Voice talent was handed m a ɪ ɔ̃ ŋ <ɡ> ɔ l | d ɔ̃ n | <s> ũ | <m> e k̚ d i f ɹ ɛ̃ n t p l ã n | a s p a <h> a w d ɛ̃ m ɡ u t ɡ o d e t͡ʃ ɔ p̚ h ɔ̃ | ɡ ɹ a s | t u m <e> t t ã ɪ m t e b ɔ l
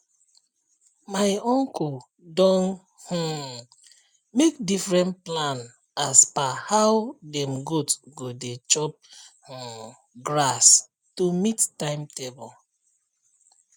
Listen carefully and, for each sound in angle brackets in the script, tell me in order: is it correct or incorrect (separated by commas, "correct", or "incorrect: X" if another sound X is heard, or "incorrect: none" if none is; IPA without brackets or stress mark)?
incorrect: k, incorrect: h, correct, correct, incorrect: i